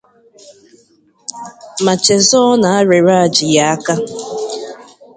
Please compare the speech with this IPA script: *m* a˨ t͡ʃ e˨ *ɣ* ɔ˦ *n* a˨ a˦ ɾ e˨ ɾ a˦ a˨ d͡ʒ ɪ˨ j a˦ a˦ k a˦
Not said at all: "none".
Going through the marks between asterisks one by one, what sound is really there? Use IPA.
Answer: m, z, n

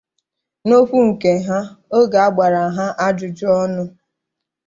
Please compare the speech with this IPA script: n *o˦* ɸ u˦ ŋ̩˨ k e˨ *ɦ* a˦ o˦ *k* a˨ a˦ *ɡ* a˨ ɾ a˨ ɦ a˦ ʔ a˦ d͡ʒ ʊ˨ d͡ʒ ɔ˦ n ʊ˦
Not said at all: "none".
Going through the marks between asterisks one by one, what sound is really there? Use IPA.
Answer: o˦, ɦ, ɡ, ɡ͡b

